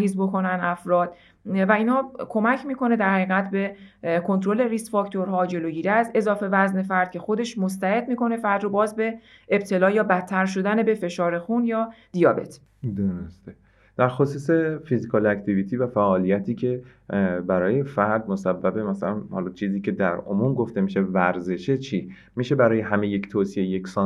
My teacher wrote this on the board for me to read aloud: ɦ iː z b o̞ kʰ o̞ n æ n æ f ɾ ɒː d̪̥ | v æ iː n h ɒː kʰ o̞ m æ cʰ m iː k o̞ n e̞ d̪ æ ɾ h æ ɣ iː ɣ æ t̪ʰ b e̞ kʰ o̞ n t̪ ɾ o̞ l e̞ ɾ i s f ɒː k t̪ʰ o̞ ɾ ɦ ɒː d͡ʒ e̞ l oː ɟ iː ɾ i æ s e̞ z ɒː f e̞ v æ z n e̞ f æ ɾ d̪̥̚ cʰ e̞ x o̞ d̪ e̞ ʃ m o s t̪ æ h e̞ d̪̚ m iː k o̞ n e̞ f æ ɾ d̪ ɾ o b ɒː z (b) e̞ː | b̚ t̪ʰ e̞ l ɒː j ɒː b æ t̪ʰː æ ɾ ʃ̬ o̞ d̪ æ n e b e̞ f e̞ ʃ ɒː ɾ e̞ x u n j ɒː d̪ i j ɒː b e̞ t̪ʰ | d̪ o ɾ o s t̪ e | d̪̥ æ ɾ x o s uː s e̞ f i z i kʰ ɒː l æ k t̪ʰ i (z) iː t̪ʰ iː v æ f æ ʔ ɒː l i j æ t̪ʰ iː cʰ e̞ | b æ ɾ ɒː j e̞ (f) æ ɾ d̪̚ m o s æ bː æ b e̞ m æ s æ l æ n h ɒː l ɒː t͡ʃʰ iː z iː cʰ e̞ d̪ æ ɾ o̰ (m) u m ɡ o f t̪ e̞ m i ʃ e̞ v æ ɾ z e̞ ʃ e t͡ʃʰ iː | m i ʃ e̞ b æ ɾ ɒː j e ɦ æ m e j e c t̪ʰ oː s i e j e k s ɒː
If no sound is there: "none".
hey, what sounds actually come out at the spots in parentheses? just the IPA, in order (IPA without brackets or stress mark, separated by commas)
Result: b, v, f, m